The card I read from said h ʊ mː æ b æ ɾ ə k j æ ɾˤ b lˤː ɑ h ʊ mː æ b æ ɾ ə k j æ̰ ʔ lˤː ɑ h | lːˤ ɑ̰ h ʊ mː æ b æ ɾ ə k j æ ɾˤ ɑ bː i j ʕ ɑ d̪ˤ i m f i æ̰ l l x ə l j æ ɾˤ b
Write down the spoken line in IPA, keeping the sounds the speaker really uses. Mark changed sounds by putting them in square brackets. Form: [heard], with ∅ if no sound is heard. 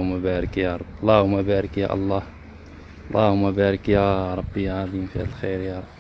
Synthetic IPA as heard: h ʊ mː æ b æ ɾ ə k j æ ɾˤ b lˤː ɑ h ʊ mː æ b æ ɾ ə k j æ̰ ʔ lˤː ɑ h | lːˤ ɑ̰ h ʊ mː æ b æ ɾ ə k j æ ɾˤ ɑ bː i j ʕ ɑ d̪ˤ i m f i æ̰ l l x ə [ɾ] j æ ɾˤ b

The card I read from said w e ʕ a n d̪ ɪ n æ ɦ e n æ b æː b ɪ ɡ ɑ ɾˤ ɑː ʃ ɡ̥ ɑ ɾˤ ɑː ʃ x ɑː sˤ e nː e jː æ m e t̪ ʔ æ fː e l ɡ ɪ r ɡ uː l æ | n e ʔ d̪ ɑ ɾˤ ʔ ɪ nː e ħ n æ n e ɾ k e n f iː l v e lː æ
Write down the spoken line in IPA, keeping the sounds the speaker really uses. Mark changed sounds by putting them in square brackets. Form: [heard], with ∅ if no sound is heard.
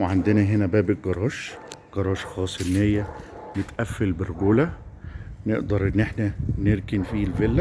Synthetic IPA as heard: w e ʕ a n d̪ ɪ n æ ɦ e n æ b æː b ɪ ɡ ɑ ɾˤ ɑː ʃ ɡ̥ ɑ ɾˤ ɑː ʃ x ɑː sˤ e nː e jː æ m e t̪ ʔ æ fː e l [b] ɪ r ɡ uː l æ | n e ʔ d̪ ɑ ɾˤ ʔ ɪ nː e ħ n æ n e ɾ k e n f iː l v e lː æ

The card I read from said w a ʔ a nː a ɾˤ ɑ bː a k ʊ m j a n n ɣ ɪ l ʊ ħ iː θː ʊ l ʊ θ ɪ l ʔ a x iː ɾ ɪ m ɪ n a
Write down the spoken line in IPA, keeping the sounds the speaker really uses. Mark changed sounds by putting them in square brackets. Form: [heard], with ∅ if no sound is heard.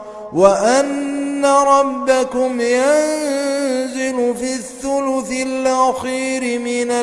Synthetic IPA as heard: w a ʔ a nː a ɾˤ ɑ bː a k ʊ m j a n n [z] ɪ l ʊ [f] iː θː ʊ l ʊ θ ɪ l ʔ a x iː ɾ ɪ m ɪ n a

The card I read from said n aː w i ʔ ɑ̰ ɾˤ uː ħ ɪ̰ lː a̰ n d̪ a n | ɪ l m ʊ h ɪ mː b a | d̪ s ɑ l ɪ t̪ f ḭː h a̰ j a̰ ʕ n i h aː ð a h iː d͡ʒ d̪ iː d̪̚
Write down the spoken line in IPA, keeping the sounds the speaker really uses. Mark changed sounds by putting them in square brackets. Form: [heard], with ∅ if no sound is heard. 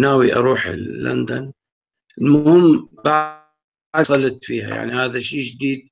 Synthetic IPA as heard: n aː w i ʔ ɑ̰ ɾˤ uː ħ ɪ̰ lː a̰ n d̪ a n | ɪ l m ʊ h ɪ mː b a | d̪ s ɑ l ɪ t̪ f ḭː h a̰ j a̰ ʕ n i h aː ð a [ʃ] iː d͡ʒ d̪ iː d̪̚

